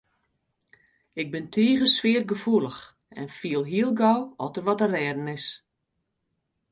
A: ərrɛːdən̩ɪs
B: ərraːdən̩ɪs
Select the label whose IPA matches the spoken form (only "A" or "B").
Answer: A